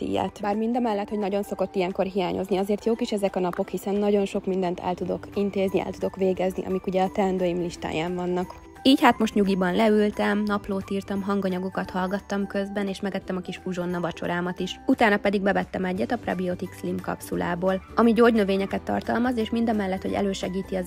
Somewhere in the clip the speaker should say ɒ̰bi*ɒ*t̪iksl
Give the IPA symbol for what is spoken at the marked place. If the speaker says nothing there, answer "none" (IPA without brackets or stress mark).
o